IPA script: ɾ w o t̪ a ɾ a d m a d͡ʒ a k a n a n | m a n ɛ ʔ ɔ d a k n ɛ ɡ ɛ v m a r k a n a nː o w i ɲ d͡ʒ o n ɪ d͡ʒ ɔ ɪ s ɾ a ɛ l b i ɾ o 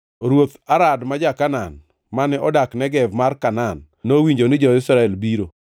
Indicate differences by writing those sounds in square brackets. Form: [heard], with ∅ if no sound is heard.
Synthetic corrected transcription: ɾ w o t̪ a ɾ a d m a d͡ʒ a k a n a n | m a n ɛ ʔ ɔ d a k n ɛ ɡ ɛ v m a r k a n a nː o w i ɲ d͡ʒ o n ɪ d͡ʒ ɔ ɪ s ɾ a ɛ l b i ɾ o